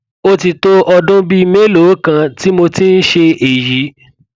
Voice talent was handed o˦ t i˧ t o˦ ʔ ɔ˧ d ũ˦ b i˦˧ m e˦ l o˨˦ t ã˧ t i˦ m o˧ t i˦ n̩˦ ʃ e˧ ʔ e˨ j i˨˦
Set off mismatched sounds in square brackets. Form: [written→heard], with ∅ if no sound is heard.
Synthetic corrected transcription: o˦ t i˧ t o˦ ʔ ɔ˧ d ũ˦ b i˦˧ m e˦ l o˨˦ [t→k] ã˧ t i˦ m o˧ t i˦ n̩˦ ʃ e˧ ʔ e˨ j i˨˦